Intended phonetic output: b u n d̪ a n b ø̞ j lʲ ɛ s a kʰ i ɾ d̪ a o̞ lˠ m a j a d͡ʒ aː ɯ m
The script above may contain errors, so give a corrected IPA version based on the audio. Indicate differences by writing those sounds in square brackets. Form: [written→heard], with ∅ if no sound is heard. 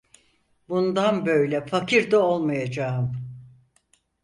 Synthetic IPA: b u n d̪ a n b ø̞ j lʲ ɛ [s→f] a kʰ i ɾ d̪ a o̞ lˠ m a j a d͡ʒ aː ɯ m